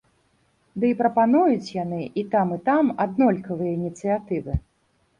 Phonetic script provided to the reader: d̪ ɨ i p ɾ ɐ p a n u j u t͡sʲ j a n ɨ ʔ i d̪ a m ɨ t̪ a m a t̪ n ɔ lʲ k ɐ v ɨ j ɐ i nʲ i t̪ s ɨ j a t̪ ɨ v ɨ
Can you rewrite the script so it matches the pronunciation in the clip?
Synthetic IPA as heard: d̪ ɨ i p ɾ ɐ p a n u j u t͡sʲ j a n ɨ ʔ i t̪ a m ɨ t̪ a m a d̪ n ɔ lʲ k ɐ v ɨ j ɐ i nʲ i t̪ s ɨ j a t̪ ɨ v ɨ